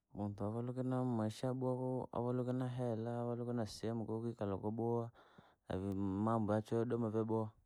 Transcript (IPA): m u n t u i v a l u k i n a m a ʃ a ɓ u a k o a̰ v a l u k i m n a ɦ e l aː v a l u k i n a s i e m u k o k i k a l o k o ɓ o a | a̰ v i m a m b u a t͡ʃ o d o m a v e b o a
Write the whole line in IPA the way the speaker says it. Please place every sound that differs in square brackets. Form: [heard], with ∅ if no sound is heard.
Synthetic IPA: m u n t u [a] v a l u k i n a m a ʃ a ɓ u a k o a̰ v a l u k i [∅] n a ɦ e l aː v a l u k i n a s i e m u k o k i k a l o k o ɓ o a | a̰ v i m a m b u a t͡ʃ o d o m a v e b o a

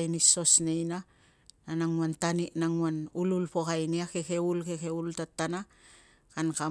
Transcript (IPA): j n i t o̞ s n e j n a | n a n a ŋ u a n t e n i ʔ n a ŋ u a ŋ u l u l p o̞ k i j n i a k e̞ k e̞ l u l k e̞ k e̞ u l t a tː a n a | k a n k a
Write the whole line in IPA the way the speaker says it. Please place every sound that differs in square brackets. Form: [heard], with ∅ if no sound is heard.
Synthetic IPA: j n i [s] o̞ s n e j n a | n a n a ŋ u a n t [a] n i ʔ n a ŋ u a [n] u l u l p o̞ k [a] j n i a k e̞ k e̞ [∅] u l k e̞ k e̞ u l t a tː a n a | k a n k a

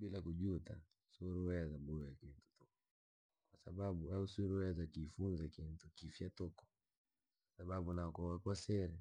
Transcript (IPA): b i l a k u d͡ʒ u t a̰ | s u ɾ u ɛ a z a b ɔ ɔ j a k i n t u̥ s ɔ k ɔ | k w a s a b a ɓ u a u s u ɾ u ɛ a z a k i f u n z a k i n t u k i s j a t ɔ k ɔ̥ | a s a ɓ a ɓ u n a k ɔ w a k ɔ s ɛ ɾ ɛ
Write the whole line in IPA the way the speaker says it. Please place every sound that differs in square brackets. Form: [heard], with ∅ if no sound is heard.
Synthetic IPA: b i l a k u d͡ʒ u t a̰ | s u ɾ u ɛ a z a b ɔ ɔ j a k i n t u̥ [t] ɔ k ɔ | k w a s a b a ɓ u a u s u ɾ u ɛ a z a k i f u n z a k i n t u k i [f] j a t ɔ k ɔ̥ | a s a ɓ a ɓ u n a k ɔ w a k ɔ s ɛ ɾ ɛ

